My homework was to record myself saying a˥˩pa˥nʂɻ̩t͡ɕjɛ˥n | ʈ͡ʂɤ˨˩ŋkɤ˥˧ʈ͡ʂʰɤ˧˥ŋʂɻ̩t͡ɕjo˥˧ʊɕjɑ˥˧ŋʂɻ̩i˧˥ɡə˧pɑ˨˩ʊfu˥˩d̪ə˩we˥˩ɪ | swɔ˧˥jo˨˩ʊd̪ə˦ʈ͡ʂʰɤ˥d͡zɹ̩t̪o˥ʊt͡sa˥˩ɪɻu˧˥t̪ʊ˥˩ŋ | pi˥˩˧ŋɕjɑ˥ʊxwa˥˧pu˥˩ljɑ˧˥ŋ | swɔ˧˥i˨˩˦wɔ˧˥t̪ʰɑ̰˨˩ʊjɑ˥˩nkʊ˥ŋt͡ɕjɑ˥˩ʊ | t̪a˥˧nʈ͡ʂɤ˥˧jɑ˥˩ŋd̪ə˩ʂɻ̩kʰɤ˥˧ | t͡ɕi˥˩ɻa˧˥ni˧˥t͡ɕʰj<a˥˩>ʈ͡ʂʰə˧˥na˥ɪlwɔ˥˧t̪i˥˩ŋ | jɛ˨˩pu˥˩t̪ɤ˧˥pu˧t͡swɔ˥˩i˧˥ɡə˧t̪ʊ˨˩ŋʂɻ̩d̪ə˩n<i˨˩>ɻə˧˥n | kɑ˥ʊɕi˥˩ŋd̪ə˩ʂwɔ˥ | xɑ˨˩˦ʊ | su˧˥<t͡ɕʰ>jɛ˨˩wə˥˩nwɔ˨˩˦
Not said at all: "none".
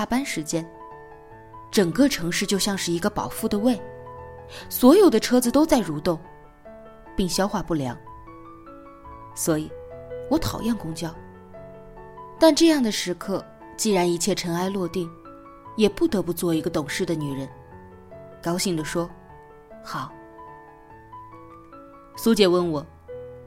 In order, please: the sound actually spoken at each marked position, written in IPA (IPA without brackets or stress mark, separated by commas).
ɛ˥˩, y˨˩, t͡ɕ